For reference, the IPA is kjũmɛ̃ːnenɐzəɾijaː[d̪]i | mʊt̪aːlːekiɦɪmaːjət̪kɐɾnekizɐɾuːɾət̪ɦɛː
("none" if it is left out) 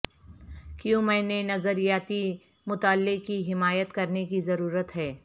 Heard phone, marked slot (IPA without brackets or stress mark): t̪